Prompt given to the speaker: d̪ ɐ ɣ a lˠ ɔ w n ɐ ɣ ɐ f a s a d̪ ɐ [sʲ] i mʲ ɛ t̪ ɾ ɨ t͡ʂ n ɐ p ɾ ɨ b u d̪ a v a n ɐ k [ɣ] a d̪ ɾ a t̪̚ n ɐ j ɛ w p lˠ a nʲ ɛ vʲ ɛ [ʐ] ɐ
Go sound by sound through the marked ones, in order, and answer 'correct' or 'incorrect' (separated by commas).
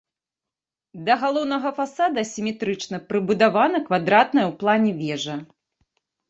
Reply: correct, incorrect, correct